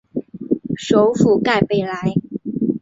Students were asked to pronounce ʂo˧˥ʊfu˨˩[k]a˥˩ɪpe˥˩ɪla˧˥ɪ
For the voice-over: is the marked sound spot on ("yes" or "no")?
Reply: yes